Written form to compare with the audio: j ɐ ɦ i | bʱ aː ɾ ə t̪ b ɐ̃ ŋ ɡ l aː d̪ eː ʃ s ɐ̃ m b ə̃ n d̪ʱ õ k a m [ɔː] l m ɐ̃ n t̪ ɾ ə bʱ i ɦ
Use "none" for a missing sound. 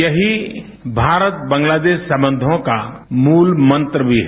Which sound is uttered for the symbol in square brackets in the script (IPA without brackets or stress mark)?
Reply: uː